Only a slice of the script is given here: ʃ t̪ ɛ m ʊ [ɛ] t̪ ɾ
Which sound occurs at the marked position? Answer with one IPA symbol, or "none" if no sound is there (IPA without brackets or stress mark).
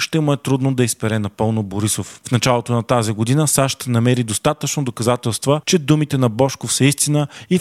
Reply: ɛ